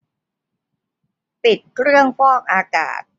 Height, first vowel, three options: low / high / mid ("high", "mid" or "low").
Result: high